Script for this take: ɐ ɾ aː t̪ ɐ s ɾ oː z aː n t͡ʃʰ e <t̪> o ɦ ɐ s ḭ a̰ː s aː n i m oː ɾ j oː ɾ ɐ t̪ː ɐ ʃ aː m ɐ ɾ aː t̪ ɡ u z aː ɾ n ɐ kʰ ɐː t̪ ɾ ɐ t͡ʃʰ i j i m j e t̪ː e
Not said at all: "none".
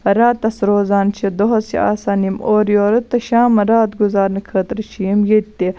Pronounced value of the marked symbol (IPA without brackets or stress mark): d̪